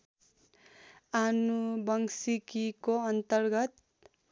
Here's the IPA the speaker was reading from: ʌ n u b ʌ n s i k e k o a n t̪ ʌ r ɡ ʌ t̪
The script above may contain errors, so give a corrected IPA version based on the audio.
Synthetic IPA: a n u b ʌ ŋ s i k i k o ʌ n t̪ ʌ r ɡ ʌ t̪